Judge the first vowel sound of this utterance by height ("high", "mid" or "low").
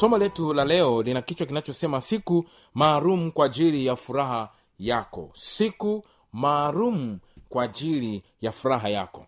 mid